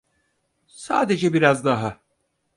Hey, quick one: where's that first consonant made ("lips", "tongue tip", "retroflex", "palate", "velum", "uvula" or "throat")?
tongue tip